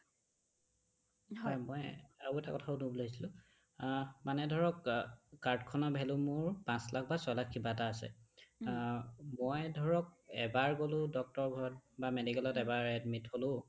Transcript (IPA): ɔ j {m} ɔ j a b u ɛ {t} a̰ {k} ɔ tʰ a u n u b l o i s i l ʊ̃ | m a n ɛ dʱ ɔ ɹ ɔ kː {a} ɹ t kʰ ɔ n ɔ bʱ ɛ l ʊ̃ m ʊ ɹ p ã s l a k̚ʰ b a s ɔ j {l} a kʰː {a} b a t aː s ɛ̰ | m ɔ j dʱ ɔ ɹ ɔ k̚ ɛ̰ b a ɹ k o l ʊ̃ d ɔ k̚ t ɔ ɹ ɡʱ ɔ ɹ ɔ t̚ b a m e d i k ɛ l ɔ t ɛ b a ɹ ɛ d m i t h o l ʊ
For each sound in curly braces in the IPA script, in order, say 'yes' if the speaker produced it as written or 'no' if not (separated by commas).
yes, yes, yes, yes, yes, no